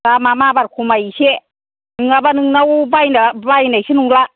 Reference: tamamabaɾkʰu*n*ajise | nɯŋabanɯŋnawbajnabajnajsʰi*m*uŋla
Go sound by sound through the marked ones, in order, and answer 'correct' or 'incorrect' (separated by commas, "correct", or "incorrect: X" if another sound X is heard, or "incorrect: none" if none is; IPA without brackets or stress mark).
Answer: incorrect: m, incorrect: n